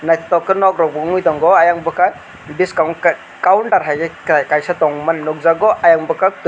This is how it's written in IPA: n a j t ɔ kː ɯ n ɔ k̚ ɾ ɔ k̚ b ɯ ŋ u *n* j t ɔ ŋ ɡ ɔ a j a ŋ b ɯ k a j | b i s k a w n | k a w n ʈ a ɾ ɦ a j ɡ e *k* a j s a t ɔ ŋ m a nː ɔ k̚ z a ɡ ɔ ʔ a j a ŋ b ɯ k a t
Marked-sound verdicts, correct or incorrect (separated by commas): incorrect, correct